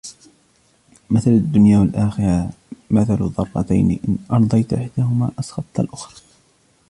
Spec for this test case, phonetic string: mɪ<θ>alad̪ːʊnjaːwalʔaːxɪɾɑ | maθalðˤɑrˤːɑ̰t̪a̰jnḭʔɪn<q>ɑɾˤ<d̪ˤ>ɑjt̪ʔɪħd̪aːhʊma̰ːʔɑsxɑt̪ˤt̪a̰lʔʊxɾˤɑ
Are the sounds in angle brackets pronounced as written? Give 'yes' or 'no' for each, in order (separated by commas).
yes, no, yes